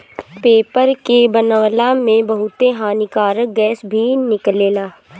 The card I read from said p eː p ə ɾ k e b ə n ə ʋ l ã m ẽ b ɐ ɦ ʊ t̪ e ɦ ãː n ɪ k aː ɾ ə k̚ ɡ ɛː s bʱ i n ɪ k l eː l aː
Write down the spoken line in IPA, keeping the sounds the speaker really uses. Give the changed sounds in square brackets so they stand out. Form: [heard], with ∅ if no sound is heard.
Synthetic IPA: p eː p ə ɾ k e b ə n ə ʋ l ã m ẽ b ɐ ɦ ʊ t̪ e ɦ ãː n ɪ k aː ɾ ə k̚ ɡ ɛː s bʱ i n ɪ k l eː l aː